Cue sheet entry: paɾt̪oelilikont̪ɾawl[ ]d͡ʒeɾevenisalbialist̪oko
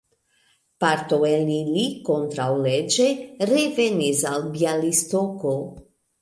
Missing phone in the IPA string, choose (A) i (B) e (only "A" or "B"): B